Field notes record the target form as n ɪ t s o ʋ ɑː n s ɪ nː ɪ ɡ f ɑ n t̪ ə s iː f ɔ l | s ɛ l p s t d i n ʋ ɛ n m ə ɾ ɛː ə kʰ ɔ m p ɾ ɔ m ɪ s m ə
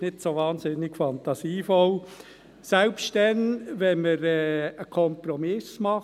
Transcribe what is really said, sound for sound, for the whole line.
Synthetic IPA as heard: n ɪ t s o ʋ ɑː n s ɪ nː ɪ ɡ f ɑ n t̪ ɑ s iː f ɔ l | s ɛ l p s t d ɛ n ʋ ɛ n m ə ɾ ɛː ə kʰ ɔ m p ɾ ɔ m ɪ s m ɑ